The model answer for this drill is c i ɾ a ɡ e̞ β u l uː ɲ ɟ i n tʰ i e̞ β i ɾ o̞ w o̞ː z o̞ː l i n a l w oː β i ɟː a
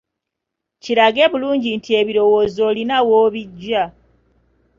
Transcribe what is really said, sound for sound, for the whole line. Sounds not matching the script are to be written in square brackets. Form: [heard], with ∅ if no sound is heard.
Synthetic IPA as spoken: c i ɾ a ɡ e̞ β u l uː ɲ ɟ i n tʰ i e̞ β i ɾ o̞ w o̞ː z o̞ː l i n a [∅] w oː β i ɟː a